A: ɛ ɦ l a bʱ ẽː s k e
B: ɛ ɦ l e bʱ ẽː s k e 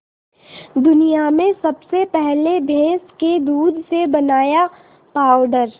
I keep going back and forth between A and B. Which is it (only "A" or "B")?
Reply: B